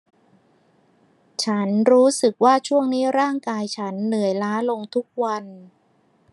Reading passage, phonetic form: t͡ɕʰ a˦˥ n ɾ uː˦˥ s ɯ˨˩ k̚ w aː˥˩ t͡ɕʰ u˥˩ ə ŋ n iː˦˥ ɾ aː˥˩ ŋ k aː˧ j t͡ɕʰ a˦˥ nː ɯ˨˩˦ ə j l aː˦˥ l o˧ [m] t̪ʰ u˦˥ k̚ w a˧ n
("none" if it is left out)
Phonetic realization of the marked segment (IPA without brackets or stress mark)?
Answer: ŋ